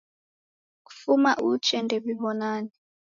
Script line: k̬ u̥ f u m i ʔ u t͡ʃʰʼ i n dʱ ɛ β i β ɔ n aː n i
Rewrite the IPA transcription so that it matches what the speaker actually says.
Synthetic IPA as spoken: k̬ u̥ f u m a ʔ u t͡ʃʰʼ ɛ n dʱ ɛ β i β ɔ n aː n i